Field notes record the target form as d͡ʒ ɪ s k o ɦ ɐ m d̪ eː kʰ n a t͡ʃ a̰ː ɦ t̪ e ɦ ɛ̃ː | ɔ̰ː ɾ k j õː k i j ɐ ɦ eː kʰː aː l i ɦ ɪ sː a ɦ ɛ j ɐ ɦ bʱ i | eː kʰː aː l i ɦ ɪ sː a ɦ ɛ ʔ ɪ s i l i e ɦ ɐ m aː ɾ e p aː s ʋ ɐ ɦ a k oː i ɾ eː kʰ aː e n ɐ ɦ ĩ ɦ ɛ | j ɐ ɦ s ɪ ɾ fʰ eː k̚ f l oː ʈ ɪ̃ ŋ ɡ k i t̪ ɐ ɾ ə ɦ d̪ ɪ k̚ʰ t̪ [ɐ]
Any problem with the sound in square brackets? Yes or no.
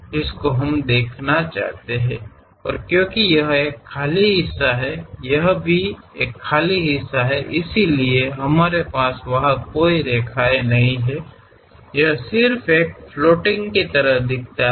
yes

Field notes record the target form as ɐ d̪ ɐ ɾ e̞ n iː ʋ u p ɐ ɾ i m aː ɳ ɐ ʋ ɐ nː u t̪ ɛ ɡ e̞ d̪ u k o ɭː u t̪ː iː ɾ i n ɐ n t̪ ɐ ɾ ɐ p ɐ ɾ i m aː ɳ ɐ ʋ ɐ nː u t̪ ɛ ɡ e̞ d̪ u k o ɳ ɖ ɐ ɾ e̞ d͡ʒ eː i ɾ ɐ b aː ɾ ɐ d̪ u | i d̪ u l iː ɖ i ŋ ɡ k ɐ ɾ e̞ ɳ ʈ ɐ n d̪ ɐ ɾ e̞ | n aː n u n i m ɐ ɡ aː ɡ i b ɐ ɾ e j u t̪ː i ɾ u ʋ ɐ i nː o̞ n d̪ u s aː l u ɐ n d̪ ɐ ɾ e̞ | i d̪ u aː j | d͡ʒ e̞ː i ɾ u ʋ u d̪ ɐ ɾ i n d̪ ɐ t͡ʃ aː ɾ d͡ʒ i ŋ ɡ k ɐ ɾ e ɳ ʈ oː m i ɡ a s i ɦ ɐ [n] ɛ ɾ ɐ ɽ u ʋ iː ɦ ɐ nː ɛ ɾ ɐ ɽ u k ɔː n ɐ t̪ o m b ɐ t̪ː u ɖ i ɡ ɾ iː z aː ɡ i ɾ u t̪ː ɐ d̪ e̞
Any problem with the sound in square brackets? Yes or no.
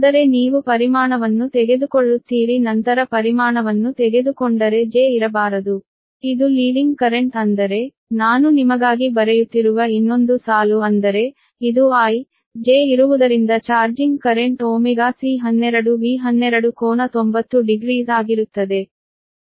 yes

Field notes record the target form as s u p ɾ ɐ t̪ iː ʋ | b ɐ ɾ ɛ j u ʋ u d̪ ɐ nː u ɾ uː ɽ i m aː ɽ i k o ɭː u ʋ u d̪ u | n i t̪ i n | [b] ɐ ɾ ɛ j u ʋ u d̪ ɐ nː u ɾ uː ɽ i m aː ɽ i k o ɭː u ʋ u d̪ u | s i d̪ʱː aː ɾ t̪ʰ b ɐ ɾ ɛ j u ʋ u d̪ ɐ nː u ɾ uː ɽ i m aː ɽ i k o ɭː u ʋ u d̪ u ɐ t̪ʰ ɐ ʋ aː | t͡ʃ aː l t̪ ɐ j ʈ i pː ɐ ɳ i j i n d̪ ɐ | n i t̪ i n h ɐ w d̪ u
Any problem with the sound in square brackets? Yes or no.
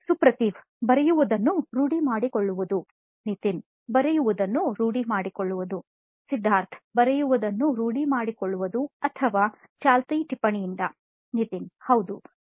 no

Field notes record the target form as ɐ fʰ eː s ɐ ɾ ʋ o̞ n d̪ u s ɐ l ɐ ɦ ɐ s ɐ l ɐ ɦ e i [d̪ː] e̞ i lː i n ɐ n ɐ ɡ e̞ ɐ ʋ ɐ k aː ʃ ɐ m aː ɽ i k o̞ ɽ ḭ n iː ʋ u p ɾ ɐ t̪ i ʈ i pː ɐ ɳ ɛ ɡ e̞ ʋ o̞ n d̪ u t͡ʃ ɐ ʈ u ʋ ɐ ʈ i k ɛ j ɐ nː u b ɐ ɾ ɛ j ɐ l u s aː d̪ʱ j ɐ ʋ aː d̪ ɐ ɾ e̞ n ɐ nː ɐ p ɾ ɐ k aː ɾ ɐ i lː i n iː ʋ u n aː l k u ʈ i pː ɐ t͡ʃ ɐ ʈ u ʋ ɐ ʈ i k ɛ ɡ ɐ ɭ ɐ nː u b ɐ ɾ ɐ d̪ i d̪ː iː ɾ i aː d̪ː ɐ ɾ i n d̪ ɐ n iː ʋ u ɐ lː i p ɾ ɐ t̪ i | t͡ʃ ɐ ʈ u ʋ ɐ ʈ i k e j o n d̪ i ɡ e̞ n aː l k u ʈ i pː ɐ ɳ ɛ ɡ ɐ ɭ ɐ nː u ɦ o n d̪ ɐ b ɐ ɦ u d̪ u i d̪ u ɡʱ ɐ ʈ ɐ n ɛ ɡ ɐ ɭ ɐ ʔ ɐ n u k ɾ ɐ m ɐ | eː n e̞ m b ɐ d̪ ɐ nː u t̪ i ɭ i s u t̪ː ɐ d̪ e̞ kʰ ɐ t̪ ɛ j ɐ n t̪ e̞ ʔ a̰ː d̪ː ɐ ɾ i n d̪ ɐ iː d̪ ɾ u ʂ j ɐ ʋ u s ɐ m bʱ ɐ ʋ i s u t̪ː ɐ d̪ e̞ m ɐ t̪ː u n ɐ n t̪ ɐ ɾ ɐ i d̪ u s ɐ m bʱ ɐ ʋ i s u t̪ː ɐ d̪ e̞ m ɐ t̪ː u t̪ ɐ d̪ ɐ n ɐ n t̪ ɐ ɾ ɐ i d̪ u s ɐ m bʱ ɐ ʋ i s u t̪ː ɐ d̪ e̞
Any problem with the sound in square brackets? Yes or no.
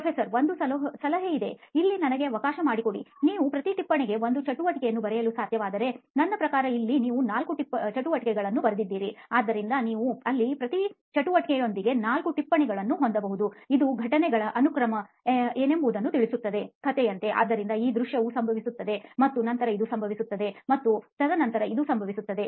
yes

